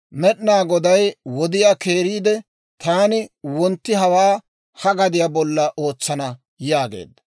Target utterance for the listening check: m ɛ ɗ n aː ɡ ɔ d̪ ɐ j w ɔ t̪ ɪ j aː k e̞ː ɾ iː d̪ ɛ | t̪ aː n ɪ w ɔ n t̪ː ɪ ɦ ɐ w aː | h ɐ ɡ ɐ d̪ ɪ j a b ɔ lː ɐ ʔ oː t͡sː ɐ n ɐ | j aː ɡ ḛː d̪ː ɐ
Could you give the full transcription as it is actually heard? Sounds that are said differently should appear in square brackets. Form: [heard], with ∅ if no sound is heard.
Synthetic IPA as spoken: m ɛ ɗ n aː ɡ ɔ d̪ ɐ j w ɔ [d̪] ɪ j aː k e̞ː ɾ iː d̪ ɛ | t̪ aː n ɪ w ɔ n t̪ː ɪ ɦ ɐ w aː | h ɐ ɡ ɐ d̪ ɪ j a b ɔ lː ɐ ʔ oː t͡sː ɐ n ɐ | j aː ɡ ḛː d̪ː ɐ